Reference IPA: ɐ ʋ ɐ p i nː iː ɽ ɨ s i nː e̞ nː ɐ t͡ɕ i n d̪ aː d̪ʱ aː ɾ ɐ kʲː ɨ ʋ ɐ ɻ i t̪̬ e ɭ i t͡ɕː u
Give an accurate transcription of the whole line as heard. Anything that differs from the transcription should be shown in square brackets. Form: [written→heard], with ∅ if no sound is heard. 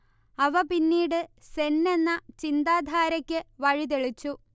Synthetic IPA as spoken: ɐ ʋ ɐ p i nː iː ɽ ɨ s [i→e] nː e̞ nː ɐ t͡ɕ i n d̪ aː d̪ʱ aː ɾ ɐ kʲː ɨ ʋ ɐ ɻ i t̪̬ e ɭ i t͡ɕː u